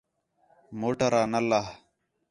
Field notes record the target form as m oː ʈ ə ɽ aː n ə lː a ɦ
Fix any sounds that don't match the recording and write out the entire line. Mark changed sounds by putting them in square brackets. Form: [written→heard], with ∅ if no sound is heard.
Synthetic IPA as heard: m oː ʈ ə [ɽ→ɾ] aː n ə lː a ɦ